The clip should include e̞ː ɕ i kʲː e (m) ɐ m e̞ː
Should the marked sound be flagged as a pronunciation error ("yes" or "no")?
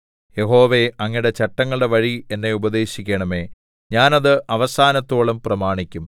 yes